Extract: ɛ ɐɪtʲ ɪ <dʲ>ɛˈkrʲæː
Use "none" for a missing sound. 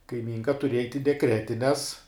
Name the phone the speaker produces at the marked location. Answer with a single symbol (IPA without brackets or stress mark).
dʲ